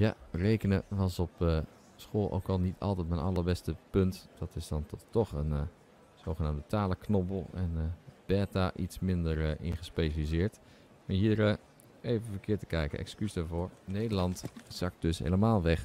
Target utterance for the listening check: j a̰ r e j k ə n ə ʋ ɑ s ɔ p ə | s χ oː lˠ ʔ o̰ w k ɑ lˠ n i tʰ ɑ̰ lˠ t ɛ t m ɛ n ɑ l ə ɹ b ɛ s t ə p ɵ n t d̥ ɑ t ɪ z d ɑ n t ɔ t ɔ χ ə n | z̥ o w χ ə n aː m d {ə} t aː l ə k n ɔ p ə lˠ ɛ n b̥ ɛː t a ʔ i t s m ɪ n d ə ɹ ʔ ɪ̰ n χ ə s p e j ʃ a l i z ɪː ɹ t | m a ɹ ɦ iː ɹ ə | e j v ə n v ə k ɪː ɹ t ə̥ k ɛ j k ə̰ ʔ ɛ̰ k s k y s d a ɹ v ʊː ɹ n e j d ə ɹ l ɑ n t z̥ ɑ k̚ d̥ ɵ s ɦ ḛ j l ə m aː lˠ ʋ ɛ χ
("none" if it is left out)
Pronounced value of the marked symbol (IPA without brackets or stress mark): ə